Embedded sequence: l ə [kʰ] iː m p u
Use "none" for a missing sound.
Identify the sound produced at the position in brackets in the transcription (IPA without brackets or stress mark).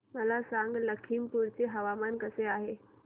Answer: kʰ